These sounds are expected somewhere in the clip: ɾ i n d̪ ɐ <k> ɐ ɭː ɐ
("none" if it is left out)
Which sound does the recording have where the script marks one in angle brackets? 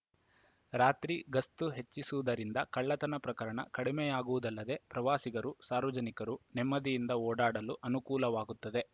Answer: k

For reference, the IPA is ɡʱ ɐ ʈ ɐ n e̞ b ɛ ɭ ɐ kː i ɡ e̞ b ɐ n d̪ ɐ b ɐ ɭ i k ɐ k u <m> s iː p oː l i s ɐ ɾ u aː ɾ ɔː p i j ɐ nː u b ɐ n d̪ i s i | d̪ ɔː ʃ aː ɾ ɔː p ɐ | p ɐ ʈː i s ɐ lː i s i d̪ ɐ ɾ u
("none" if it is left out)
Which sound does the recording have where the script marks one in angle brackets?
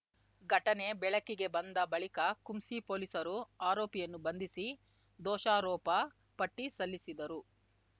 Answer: m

